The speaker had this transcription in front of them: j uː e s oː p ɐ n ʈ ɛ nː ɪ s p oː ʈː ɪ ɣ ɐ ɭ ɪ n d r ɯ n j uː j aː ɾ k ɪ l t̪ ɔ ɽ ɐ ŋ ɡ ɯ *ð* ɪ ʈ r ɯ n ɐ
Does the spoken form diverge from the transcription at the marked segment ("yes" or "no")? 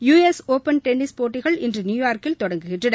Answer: yes